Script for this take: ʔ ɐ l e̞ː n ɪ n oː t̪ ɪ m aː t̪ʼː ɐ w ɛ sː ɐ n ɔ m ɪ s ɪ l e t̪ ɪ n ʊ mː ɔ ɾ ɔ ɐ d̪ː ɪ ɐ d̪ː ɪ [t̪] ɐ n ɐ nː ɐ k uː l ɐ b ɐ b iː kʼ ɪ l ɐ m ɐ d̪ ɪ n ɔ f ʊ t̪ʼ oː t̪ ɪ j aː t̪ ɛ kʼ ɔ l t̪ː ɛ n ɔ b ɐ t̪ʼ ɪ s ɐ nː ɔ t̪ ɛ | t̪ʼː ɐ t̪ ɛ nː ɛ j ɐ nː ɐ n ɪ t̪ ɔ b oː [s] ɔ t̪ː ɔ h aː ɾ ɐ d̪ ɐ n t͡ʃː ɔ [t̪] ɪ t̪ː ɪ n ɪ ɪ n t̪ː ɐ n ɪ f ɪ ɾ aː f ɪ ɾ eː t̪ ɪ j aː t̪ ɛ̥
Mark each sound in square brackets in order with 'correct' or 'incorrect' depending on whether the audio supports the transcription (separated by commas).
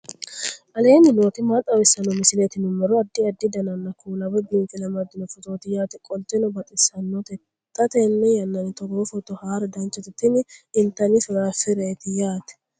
incorrect, incorrect, correct